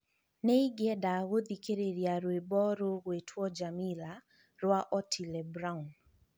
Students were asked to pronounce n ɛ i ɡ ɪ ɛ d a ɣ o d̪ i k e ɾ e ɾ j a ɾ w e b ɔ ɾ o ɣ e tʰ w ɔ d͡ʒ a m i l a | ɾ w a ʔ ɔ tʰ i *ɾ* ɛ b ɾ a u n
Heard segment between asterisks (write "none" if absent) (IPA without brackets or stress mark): l